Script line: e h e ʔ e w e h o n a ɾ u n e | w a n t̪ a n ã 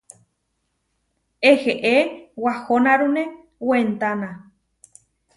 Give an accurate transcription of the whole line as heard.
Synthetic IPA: e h e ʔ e w a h o n a ɾ u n e | w e n t̪ a n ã